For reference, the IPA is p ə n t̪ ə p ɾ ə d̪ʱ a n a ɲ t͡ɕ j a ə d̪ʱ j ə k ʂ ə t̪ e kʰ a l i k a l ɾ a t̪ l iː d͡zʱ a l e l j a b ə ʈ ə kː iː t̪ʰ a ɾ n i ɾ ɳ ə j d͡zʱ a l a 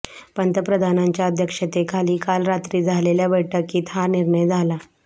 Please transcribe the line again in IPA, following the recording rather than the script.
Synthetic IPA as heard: p ə n t̪ ə p ɾ ə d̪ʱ a n a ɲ t͡ɕ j a ə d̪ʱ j ə k ʂ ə t̪ e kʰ a l iː k a l ɾ a t̪ ɾ iː d͡zʱ a l e l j a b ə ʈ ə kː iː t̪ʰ a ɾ n i ɾ ɳ ə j d͡zʱ a l a